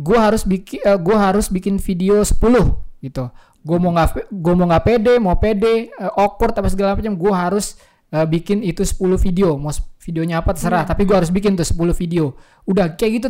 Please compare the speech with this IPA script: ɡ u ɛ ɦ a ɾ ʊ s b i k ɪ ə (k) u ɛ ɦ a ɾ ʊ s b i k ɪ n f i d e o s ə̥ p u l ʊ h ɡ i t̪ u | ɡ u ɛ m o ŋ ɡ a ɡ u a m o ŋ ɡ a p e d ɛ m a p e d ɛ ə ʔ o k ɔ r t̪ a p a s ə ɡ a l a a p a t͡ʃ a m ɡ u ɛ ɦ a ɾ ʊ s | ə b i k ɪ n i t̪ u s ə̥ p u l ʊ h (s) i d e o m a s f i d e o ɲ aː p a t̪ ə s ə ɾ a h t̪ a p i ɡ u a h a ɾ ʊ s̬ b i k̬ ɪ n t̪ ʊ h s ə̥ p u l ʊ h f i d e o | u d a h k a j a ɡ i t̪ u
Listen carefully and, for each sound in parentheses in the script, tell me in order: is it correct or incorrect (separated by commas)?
incorrect, incorrect